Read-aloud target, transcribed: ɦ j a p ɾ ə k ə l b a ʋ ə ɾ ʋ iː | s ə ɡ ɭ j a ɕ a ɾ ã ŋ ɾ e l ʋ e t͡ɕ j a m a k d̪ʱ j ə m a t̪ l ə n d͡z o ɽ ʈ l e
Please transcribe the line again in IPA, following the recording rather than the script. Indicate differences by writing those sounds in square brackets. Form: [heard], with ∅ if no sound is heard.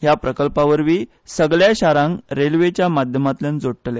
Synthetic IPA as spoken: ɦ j a p ɾ ə k ə l [p] a ʋ ə ɾ ʋ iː | s ə ɡ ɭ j a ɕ a ɾ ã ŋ ɾ e l ʋ e t͡ɕ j a m a [∅] d̪ʱ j ə m a t̪ l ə n d͡z o ɽ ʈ l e